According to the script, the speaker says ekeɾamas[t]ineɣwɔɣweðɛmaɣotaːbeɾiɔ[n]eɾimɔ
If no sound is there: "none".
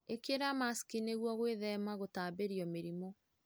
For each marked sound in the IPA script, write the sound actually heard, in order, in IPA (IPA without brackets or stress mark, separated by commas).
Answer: k, m